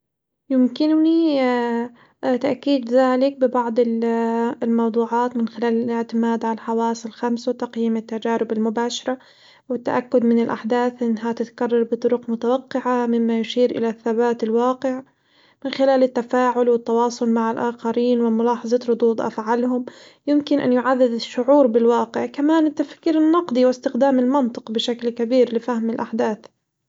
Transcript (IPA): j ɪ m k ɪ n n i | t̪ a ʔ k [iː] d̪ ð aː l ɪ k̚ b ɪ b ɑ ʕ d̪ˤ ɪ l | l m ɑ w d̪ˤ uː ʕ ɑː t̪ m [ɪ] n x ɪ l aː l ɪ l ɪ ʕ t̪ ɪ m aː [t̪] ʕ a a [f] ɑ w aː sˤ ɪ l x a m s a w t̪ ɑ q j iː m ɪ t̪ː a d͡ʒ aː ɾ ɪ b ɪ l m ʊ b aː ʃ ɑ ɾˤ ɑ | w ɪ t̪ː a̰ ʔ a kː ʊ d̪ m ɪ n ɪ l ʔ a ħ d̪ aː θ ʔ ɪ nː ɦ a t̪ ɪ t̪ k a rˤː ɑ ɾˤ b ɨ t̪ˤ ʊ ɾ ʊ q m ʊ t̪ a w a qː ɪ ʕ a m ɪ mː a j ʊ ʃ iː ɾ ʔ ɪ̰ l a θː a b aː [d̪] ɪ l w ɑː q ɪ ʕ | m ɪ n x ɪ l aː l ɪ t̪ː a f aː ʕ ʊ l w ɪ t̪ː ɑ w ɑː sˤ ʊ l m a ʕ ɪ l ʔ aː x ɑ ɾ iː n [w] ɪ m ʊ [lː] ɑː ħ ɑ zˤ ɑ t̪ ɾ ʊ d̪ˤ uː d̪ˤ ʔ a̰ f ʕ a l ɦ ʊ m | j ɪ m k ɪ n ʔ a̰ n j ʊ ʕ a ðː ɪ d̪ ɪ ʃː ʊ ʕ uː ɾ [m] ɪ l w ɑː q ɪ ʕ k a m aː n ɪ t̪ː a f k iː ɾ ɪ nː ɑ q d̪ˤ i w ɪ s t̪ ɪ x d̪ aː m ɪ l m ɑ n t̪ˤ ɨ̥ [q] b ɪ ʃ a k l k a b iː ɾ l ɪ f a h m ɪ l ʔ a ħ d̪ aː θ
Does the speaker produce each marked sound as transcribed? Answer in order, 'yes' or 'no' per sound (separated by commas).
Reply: yes, yes, no, no, no, yes, no, no, yes